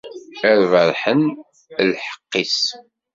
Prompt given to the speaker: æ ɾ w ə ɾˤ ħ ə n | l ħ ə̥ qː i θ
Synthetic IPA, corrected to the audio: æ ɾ v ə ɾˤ ħ ə n | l ħ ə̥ qː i s